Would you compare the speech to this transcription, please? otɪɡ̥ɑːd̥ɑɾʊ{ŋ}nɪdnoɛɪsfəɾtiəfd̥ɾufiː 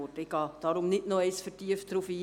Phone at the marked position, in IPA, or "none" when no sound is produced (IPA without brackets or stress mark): m